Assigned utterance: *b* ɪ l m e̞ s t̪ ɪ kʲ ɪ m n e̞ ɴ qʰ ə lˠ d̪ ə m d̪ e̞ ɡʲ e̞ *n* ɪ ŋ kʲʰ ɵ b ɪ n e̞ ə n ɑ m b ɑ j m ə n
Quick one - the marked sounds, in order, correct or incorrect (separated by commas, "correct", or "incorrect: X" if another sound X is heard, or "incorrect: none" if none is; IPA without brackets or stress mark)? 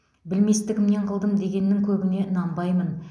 correct, incorrect: nː